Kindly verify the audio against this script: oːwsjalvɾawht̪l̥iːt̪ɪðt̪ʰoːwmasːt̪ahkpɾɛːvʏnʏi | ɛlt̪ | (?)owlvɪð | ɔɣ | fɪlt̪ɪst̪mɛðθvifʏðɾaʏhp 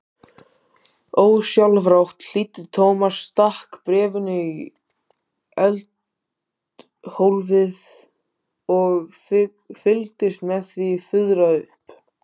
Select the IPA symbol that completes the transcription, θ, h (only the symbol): h